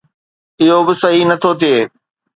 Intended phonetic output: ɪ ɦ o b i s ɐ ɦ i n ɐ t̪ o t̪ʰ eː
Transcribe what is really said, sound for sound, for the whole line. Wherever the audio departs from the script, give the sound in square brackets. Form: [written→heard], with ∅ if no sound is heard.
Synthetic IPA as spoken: ɪ ɦ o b [i→ɪ] s ɐ ɦ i n ɐ [t̪→t̪ʰ] o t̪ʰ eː

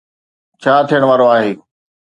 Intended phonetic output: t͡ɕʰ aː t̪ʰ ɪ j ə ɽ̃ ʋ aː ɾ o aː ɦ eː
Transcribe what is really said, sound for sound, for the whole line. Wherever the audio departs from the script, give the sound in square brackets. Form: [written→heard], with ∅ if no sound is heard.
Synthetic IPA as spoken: t͡ɕʰ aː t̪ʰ [ɪ→i] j ə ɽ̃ ʋ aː ɾ o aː ɦ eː

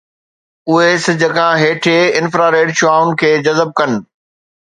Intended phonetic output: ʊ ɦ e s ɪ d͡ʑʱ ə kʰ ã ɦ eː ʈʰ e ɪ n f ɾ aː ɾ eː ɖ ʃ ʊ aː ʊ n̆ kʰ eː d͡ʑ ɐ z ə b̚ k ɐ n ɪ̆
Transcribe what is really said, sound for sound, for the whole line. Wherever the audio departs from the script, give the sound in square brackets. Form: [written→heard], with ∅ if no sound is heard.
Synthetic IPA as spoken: ʊ ɦ e s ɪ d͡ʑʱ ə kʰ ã ɦ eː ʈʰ e ɪ n f ɾ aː ɾ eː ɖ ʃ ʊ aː ʊ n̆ kʰ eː d͡ʑ ɐ z ə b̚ k ɐ n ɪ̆

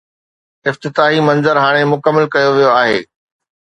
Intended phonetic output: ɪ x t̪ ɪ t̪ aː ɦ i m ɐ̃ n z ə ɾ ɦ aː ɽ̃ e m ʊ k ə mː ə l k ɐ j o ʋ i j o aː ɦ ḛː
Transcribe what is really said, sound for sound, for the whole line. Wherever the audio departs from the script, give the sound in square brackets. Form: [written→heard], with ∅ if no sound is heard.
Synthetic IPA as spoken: ɪ [x→f] t̪ ɪ t̪ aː ɦ i m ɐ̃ n z ə ɾ ɦ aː ɽ̃ e m ʊ k ə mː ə l k ɐ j o ʋ i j o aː ɦ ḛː

